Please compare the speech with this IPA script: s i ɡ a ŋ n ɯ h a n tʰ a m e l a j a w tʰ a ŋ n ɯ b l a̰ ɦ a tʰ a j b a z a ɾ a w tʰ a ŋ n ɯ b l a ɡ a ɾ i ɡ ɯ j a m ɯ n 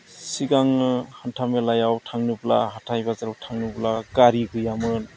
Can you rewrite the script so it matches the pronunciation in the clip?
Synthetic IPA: s i ɡ a ŋ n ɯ h a n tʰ a m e l a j a w tʰ a ŋ n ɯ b l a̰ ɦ a tʰ a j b a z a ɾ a w tʰ a ŋ n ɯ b l a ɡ a ɾ i ɡ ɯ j a m ɯ n